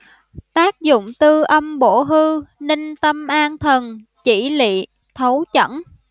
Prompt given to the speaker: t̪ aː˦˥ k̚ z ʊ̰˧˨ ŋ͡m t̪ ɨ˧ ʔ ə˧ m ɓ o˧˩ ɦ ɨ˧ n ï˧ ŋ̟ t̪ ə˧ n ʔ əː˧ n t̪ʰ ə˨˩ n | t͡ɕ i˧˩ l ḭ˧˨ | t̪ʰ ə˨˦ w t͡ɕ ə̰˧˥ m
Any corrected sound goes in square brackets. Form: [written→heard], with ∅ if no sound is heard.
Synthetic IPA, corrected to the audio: t̪ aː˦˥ k̚ z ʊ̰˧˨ ŋ͡m t̪ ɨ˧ ʔ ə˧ m ɓ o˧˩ ɦ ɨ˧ n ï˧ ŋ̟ t̪ ə˧ [n→m] ʔ [əː˧→aː˧] n t̪ʰ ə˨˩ n | t͡ɕ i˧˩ l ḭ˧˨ | t̪ʰ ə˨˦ w t͡ɕ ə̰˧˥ [m→n]